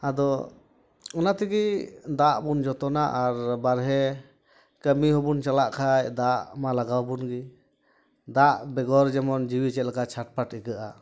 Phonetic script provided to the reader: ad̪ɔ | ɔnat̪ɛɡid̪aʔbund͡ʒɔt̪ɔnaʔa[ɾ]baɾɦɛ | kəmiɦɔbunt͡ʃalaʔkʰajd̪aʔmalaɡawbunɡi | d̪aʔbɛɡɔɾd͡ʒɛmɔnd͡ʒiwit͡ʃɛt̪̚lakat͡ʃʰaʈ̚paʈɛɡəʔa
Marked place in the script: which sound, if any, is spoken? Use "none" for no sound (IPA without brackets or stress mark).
ɾ